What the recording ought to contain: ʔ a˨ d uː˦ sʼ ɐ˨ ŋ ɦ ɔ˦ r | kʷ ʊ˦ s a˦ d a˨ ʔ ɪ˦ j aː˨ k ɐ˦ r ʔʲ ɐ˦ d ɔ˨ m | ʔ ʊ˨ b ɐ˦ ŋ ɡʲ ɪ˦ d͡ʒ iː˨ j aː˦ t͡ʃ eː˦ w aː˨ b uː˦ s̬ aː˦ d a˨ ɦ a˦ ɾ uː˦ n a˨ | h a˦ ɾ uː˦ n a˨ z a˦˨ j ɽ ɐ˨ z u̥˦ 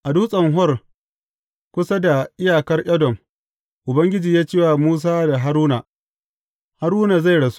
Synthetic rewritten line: ʔ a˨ d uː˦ sʼ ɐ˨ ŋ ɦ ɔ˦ r | kʷ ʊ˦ s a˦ d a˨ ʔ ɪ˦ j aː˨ k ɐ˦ r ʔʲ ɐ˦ d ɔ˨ m | ʔ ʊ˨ b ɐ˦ ŋ ɡʲ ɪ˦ d͡ʒ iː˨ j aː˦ t͡ʃ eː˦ w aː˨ m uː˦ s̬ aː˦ d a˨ ɦ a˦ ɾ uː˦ n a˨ | h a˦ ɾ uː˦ n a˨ z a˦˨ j ɽ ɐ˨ s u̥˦

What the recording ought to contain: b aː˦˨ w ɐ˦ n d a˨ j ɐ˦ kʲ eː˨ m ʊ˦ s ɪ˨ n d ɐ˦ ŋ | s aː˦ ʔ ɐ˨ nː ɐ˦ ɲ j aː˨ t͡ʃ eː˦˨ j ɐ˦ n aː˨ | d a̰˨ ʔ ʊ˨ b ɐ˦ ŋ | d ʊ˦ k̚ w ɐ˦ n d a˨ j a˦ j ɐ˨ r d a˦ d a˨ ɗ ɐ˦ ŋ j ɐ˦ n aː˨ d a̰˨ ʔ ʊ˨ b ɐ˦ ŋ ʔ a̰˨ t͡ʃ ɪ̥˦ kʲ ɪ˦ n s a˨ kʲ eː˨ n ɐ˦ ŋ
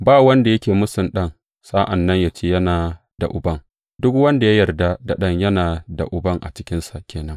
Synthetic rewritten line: b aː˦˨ w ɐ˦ n d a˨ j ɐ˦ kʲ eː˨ m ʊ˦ s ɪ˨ n ɗ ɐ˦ ŋ | s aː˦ ʔ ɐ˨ nː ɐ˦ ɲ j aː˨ t͡ʃ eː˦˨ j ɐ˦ n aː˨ | d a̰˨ ʔ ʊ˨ b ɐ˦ ŋ | d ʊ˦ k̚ w ɐ˦ n d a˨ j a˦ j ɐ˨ r d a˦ d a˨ ɗ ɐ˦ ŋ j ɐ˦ n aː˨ d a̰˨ ʔ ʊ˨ b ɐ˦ ŋ ʔ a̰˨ t͡ʃ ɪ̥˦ kʲ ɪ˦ n s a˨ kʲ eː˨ n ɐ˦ ŋ

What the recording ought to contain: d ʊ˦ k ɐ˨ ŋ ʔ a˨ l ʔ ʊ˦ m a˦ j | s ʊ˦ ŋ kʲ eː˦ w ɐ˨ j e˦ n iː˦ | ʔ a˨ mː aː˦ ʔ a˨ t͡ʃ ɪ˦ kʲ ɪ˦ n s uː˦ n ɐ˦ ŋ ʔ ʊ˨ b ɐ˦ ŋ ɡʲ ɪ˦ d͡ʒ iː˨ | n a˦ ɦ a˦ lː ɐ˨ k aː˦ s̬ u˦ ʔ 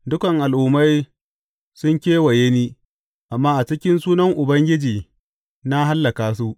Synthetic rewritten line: d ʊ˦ k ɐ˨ ŋ ʔ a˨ l ʔ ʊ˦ m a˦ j | s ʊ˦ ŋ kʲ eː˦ w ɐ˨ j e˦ n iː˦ | ʔ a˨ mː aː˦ ʔ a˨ t͡ʃ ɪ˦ kʲ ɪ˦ n s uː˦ n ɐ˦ ŋ ʔ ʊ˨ b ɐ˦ ŋ ɡʲ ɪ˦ d͡ʒ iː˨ | n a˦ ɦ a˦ lː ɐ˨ k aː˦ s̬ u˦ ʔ

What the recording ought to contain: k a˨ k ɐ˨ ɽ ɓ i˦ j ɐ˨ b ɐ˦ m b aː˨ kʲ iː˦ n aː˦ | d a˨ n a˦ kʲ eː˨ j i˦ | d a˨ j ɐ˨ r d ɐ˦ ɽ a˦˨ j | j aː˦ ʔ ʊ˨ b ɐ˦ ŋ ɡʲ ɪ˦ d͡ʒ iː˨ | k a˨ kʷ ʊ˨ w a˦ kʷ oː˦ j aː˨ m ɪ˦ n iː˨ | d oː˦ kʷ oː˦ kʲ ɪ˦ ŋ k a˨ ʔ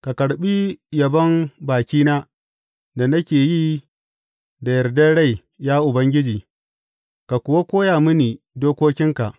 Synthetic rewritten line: k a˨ k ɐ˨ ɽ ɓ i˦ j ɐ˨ b ɐ˦ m b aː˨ kʲ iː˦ n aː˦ | d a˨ n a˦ kʲ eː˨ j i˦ | d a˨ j ɐ˨ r d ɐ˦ ɽ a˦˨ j | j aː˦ ʔ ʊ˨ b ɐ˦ ŋ ɡʲ ɪ˦ d͡ʒ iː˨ | k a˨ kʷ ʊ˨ w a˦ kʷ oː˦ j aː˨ m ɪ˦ n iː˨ | d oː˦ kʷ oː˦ kʲ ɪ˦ ŋ k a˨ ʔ

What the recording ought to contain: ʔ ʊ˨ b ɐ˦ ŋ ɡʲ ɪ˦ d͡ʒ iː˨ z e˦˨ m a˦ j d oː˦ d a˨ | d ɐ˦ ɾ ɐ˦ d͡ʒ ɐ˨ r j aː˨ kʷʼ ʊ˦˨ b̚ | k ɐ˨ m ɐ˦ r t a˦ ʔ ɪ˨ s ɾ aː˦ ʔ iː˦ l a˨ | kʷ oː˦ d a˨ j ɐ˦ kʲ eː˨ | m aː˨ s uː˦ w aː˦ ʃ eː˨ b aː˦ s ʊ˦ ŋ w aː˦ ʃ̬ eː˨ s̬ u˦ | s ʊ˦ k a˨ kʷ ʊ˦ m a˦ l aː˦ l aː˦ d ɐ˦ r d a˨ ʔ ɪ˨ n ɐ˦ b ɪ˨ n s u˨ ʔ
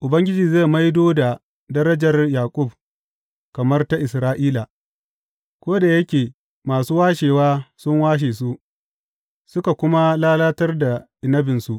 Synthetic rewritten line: ʔ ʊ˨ b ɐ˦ ŋ ɡʲ ɪ˦ d͡ʒ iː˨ z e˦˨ m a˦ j d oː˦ d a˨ | d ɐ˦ ɾ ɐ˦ d͡ʒ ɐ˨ r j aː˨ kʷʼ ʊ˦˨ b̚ | k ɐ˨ m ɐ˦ r t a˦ ʔ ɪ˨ s ɾ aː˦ ʔ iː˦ l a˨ | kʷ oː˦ d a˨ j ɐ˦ kʲ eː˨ | m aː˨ s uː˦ w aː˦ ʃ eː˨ w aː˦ s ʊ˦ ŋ w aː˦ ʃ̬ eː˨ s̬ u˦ | s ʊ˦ k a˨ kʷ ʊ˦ m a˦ l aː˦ l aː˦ t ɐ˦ r d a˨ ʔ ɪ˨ n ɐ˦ b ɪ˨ n s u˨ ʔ

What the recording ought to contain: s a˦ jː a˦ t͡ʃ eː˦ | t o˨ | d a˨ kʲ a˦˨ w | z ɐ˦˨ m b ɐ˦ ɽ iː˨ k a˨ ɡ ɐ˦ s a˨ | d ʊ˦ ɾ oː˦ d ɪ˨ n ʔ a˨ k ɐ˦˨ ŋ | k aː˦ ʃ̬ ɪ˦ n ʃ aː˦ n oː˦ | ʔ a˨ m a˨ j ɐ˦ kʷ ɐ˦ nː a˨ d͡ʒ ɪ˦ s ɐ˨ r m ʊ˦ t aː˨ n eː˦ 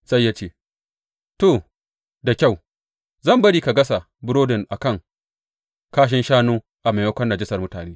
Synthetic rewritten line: s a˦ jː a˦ t͡ʃ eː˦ | t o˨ | d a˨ kʲ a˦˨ w | z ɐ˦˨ m b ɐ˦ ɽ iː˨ k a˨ ɡ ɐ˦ s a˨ | b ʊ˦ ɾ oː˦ d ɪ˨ n ʔ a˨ k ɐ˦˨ ŋ | k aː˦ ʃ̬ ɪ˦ n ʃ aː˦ n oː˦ | ʔ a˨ m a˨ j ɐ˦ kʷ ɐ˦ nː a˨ d͡ʒ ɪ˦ s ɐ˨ r m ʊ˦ t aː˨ n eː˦

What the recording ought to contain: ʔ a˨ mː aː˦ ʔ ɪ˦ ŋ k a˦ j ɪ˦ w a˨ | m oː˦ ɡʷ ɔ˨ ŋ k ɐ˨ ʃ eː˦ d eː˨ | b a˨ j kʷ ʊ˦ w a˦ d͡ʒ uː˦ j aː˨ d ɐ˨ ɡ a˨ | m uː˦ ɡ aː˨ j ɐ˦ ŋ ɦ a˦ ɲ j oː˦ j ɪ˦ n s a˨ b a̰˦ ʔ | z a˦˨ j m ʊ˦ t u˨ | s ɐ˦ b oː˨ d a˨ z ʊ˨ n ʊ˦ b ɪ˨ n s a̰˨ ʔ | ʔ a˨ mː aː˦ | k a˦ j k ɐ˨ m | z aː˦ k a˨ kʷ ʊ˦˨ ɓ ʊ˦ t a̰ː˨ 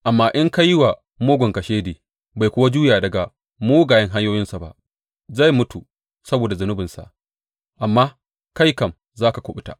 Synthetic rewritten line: ʔ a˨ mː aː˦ ʔ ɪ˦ ŋ k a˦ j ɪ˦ w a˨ | m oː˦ ɡʷ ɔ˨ ŋ k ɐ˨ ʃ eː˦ d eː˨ | b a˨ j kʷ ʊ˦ w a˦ d͡ʒ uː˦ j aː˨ d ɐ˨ ɡ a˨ | m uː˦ ɡ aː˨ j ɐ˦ ŋ ɦ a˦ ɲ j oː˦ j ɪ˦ n s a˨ b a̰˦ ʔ | z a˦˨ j m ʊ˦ t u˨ | s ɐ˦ b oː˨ d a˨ z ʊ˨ n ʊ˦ b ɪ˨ n s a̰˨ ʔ | ʔ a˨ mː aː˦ | k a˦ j k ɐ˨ m | z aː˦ k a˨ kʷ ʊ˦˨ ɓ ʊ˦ t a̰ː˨

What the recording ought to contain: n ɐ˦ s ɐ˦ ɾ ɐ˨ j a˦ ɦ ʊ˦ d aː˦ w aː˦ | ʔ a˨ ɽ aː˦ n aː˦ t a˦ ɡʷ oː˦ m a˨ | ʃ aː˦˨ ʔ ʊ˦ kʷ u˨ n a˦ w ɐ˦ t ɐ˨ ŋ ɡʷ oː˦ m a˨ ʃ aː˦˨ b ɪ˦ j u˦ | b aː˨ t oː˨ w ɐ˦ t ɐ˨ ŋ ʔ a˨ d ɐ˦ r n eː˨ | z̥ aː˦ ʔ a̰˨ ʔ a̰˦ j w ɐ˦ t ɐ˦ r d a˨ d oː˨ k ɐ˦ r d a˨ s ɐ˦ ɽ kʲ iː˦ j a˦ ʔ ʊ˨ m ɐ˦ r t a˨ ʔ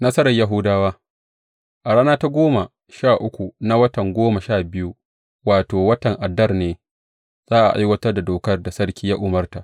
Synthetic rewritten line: n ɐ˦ s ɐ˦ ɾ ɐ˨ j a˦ ɦ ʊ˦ d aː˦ w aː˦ | ʔ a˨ ɽ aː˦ n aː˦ t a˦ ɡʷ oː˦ m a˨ | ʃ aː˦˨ ʔ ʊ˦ kʷ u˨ n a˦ w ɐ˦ t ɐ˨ ŋ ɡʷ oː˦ m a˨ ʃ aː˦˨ b ɪ˦ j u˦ | w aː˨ t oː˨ w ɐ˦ t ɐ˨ ŋ ʔ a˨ d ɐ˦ r n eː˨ | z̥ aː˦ ʔ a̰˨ ʔ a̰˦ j w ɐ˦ t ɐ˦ r d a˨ d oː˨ k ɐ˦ r d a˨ s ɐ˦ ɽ kʲ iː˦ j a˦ ʔ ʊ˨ m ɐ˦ r t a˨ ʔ

